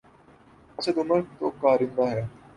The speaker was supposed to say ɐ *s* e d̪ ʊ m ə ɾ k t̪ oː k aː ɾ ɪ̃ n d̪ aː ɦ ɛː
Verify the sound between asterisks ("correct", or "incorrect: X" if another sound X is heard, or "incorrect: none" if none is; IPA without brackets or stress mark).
correct